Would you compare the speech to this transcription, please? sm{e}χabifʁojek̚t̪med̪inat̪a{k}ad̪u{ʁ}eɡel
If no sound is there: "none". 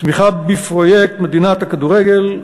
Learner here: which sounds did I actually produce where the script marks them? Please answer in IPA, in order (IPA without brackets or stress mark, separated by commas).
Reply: i, k, ʁ